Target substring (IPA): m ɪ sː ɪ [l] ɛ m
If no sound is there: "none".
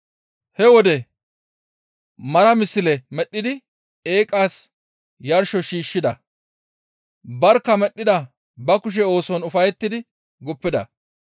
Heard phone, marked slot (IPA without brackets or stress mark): l